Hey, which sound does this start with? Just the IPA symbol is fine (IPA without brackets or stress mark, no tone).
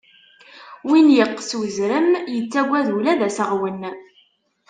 w